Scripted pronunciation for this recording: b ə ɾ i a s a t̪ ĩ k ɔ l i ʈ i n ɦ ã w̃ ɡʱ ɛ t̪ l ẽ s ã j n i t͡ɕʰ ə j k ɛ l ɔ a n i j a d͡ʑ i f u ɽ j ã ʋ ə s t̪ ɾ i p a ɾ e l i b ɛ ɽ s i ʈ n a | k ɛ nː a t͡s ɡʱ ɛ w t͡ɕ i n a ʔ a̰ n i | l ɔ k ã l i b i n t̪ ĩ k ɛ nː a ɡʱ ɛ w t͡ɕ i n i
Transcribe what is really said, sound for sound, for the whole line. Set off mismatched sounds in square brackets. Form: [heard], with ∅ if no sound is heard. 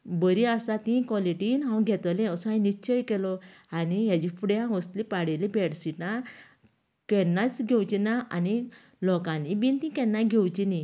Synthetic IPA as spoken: b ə ɾ i a s a t̪ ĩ k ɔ l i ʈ i n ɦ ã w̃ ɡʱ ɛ t̪ l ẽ s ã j n i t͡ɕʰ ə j k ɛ l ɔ a n i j a d͡ʑ i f u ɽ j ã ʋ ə s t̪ [l] i p a [ɽ] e l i b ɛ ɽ s i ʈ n a | k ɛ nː a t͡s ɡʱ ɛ w t͡ɕ i n a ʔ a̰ n i | l ɔ k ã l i b i n t̪ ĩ k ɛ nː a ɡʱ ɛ w t͡ɕ i n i